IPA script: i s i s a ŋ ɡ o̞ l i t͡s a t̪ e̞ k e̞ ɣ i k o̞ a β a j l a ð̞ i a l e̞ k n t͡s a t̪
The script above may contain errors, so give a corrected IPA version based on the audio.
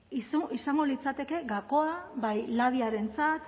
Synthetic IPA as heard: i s i s a ŋ ɡ o̞ l i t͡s a t̪ e̞ k e̞ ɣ a k o̞ a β a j l a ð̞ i a ɾ e̞ n t͡s a t̪